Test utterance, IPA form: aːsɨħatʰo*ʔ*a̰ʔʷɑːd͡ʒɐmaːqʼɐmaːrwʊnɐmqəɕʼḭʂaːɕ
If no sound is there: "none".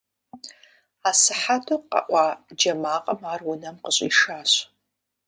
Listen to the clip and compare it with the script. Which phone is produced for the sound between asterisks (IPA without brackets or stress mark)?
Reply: q